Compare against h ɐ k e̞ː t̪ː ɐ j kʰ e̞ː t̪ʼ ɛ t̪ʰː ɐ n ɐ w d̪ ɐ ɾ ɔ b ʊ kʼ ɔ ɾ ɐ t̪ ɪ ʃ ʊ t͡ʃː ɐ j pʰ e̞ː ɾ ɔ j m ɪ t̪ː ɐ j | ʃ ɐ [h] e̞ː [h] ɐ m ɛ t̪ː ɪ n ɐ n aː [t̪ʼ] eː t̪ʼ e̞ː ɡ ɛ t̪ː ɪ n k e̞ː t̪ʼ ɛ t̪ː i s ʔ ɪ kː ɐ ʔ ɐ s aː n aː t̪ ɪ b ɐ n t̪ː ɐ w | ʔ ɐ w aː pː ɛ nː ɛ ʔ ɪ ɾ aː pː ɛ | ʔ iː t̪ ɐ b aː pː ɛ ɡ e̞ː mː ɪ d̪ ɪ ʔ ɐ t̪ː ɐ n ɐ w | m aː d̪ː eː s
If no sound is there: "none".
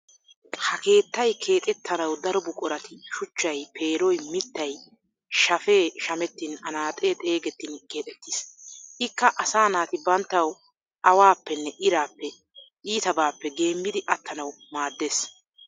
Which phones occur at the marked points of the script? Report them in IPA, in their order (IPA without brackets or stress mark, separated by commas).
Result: f, ʃ, t̪ʼ